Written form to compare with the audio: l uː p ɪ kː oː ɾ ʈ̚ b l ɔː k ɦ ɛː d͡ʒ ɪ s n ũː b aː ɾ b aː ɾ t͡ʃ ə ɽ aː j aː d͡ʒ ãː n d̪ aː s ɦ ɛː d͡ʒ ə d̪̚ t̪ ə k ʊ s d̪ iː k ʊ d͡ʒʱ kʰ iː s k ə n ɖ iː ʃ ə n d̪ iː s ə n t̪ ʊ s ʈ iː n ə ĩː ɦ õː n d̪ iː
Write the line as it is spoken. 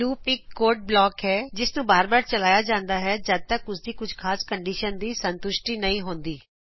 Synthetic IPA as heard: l uː p ɪ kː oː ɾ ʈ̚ b l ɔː k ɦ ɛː d͡ʒ ɪ s n ũː b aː ɾ b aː ɾ t͡ʃ ə l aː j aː d͡ʒ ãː n d̪ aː ɦ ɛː d͡ʒ ə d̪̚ t̪ ə k ʊ s d̪ iː k ʊ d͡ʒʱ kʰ aː s k ə ɳ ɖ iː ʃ ə n d̪ iː s ə n t̪ ʊ ʃ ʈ iː n ə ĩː ɦ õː n d̪ iː

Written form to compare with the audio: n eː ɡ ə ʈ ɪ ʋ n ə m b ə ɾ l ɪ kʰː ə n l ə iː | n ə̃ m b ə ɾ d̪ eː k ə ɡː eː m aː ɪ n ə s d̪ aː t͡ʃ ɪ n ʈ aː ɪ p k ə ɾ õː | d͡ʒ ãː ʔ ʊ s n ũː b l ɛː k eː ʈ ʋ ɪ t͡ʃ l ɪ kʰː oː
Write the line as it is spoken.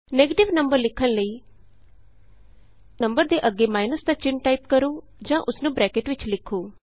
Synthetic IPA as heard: n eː ɡ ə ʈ ɪ ʋ n ə m b ə ɾ l ɪ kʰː ə n l ə iː | n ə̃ m b ə ɾ d̪ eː ʔ ə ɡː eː m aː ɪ n ə s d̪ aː t͡ʃ ɪ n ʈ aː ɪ p k ə ɾ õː | d͡ʒ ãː ʔ ʊ s n ũː b ɾ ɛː k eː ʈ ʋ ɪ t͡ʃ l ɪ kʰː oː

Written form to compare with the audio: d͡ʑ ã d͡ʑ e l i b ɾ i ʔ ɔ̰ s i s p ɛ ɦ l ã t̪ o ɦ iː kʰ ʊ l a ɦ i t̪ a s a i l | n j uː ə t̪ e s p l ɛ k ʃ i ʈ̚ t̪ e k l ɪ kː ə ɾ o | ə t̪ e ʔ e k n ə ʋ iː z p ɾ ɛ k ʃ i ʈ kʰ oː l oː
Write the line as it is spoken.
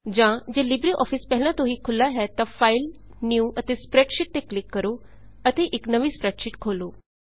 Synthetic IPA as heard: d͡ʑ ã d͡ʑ e l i b ɾ i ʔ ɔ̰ f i s p ɛ ɦ l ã t̪ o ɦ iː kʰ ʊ l a ɦ ɛ t̪ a f a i l | n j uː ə t̪ e s p ɾ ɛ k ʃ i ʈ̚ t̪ e k l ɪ kː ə ɾ o | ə t̪ e ʔ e k n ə ʋ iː s p ɾ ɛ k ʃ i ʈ kʰ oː l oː

